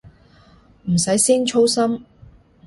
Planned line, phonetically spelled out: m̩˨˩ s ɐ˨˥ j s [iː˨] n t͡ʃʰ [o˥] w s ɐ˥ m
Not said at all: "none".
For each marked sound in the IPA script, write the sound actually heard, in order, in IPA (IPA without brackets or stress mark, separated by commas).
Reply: iː˥, o˥